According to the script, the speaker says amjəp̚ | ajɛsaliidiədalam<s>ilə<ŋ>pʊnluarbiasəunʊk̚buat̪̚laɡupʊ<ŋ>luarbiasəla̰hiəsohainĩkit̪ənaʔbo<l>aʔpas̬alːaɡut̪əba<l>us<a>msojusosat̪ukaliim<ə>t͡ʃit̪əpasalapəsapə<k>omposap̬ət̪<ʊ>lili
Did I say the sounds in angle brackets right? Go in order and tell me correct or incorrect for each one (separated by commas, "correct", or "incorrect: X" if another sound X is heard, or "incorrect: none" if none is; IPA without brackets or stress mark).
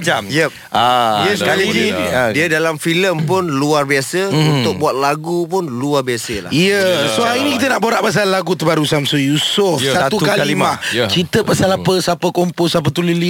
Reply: incorrect: f, incorrect: m, incorrect: n, incorrect: ɾ, incorrect: ɾ, correct, incorrect: a, correct, incorrect: u